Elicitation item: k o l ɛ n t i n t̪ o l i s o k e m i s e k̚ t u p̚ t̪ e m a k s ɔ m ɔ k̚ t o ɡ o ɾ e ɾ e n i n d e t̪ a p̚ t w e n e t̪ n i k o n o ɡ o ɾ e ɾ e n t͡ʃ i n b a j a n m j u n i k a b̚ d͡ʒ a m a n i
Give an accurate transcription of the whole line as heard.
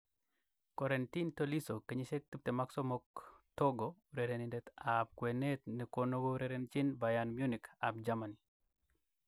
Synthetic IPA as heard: k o ɾ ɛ n t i n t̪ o l i s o k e ɲ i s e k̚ t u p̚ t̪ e m a k s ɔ m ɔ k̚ t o ɡ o ɾ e ɾ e n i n d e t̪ a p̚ k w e n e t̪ n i k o n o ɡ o ɾ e ɾ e n t͡ʃ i n b a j a n m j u n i k a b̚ d͡ʒ a m a n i